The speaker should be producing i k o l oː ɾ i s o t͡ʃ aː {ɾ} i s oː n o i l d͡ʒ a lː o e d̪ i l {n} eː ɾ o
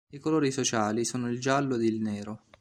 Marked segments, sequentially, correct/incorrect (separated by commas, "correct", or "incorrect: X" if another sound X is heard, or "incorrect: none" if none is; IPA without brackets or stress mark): incorrect: l, correct